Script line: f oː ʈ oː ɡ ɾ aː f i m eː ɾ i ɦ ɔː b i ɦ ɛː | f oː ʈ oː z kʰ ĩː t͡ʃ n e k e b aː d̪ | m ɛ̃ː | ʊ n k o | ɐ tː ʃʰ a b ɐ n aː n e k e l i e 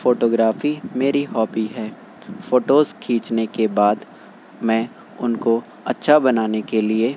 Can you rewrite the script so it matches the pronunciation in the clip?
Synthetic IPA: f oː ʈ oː ɡ ɾ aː f i m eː ɾ i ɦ ɔː b i ɦ ɛː | f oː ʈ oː z kʰ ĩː t͡ʃ n e k e b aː d̪ | m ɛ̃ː | ʊ n k o | ɐ tː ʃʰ a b ɐ n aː n e k e l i e